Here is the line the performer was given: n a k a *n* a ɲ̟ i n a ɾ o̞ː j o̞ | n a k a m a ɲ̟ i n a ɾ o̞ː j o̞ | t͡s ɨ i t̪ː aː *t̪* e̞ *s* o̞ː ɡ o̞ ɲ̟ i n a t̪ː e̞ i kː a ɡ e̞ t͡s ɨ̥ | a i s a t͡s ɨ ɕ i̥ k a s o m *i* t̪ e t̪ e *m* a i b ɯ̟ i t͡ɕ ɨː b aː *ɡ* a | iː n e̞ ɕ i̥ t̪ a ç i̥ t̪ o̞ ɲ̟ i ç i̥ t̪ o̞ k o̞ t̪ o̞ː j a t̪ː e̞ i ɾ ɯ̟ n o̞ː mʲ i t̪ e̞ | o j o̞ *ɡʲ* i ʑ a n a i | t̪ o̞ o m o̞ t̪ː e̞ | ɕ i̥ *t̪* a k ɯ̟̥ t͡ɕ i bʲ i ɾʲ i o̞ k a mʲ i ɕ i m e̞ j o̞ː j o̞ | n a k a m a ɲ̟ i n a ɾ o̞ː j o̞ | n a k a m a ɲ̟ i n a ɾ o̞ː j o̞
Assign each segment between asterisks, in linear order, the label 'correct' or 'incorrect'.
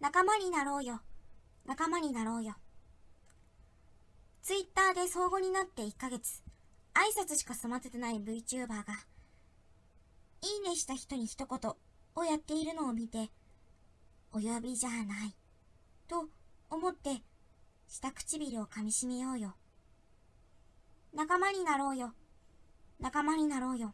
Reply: incorrect, incorrect, correct, incorrect, incorrect, correct, incorrect, correct

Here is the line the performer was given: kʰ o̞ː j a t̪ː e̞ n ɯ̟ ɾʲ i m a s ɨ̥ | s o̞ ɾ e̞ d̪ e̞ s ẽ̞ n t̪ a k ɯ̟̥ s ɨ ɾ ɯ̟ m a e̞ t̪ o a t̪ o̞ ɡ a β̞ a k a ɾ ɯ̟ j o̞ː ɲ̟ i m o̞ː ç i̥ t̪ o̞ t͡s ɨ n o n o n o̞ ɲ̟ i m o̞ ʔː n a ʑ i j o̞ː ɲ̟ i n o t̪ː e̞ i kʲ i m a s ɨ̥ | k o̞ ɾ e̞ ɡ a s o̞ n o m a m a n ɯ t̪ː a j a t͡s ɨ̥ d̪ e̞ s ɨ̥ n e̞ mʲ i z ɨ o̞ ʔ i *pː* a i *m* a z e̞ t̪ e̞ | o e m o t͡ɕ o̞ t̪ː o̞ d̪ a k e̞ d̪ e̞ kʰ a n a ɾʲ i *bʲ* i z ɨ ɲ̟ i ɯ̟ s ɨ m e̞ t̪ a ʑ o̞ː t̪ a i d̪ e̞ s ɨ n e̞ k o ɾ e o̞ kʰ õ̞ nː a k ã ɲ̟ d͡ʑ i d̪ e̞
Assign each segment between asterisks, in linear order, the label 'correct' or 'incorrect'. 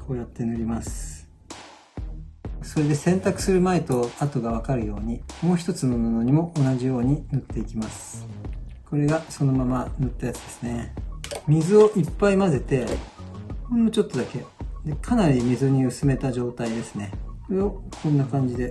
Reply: correct, correct, incorrect

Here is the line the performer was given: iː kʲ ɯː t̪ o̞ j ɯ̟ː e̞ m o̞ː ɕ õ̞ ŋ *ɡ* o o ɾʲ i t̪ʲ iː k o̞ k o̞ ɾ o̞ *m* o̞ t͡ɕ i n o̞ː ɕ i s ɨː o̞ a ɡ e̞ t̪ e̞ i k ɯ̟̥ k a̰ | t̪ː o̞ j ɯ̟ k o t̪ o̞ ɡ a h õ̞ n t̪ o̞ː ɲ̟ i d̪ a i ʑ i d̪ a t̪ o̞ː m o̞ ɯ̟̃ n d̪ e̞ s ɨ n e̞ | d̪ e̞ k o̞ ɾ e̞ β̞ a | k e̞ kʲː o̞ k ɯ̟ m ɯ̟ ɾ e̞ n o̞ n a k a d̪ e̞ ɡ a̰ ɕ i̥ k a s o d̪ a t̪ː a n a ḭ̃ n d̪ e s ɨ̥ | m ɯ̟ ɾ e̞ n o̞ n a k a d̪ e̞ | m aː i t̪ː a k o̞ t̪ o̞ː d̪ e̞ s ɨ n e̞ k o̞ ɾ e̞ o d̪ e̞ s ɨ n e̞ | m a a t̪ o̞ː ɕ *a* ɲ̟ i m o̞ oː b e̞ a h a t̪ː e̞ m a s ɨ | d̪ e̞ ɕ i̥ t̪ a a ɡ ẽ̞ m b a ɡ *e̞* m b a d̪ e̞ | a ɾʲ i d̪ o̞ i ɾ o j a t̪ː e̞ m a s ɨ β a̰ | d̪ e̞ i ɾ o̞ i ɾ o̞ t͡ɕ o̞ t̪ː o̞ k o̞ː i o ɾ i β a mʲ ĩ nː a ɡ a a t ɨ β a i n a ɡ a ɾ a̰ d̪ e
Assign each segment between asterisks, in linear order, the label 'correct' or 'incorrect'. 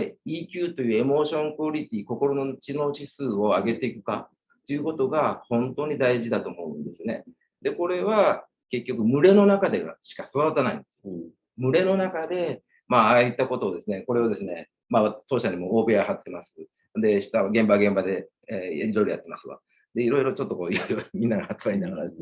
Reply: incorrect, incorrect, correct, incorrect

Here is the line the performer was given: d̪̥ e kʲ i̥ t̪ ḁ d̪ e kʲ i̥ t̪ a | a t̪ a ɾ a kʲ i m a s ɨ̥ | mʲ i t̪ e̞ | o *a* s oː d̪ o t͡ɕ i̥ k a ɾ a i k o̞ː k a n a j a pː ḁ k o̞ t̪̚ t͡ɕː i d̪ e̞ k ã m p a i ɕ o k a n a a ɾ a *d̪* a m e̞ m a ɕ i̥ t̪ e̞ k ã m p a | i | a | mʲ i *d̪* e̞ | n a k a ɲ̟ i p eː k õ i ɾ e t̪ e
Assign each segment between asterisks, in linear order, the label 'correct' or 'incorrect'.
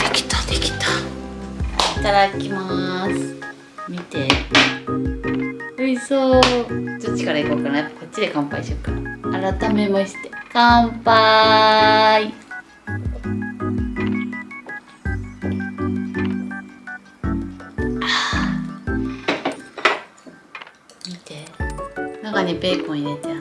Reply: incorrect, incorrect, incorrect

